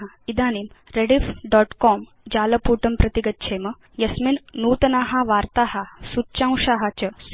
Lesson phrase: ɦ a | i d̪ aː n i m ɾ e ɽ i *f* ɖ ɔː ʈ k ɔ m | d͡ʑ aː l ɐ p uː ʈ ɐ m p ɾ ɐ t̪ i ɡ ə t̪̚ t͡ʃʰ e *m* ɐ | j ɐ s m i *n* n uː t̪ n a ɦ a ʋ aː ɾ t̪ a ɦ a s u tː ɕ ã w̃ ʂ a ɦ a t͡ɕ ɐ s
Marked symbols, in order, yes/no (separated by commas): yes, yes, yes